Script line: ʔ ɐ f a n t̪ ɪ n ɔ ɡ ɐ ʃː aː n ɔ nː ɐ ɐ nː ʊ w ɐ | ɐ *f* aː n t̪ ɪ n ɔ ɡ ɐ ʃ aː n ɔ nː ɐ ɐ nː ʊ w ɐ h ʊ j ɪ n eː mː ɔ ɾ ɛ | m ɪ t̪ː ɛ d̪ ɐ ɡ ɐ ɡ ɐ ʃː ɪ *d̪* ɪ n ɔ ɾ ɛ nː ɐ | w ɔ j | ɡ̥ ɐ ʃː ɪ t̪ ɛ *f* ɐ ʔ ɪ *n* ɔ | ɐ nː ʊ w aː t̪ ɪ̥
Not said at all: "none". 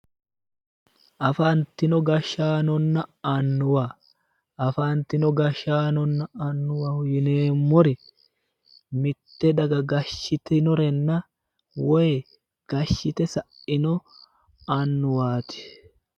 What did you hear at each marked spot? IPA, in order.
f, t̪, s, n

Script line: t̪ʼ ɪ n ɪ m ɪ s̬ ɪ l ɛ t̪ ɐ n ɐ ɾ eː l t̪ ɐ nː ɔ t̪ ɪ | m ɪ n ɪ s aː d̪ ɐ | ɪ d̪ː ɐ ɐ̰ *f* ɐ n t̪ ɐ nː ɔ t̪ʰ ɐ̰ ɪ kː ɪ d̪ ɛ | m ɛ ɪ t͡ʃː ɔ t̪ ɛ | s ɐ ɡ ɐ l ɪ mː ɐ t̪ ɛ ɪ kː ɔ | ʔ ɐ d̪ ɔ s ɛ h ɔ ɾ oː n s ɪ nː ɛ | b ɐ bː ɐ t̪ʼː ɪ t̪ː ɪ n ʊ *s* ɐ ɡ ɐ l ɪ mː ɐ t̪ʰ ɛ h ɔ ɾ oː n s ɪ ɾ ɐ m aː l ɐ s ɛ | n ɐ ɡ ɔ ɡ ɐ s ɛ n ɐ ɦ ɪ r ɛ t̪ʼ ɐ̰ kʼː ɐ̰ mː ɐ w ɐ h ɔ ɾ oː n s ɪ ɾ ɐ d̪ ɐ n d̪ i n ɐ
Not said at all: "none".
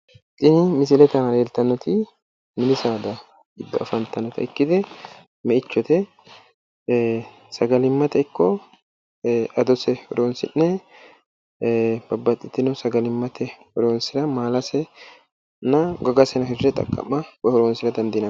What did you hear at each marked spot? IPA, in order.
f, s

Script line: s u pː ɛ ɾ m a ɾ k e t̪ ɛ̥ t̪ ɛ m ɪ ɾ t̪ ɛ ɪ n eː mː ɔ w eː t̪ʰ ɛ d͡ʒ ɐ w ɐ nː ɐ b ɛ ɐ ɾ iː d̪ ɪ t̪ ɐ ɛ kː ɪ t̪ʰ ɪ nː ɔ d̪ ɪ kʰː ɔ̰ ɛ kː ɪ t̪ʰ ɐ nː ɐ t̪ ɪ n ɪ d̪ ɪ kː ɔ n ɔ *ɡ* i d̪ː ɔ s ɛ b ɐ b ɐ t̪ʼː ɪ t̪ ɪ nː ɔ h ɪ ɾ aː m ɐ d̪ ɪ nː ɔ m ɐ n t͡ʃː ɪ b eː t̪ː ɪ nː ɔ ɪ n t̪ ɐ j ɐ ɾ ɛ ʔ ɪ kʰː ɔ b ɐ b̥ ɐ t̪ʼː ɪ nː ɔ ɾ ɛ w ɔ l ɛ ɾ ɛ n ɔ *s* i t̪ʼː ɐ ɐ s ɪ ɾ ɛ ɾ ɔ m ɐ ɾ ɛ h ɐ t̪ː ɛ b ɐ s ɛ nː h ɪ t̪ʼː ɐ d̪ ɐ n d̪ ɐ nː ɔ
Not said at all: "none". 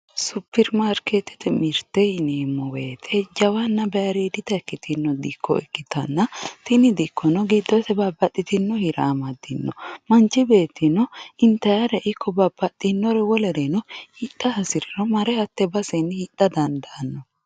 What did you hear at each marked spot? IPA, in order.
ɡ, h

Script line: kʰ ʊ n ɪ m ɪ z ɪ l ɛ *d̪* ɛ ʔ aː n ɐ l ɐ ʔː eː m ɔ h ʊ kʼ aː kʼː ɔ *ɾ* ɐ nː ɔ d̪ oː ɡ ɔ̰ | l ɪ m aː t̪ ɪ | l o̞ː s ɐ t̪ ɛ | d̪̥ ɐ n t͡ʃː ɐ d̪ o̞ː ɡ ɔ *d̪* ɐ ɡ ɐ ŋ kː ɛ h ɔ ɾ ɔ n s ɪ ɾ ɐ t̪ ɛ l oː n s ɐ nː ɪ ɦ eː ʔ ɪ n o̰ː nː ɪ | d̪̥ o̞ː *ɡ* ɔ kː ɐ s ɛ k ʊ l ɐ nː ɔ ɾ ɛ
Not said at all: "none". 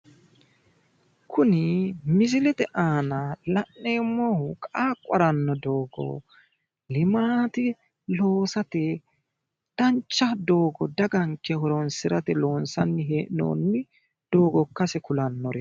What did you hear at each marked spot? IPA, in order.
t̪, ɾ, d̪, ɡ

